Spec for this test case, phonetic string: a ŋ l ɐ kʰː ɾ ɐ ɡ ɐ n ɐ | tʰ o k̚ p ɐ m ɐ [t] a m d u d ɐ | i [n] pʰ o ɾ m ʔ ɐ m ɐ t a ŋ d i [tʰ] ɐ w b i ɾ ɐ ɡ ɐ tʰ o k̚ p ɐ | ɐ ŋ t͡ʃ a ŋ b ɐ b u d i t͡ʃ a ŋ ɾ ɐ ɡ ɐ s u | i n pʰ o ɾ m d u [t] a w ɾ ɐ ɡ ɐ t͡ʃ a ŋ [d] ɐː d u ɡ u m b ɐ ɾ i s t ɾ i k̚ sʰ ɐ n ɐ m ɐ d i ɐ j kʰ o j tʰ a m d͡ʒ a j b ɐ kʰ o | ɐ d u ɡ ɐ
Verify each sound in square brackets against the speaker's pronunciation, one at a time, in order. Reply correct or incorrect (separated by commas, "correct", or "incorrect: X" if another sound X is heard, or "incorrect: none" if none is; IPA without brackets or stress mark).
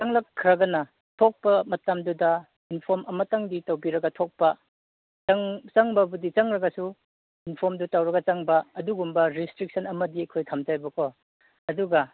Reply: correct, correct, incorrect: t, correct, incorrect: b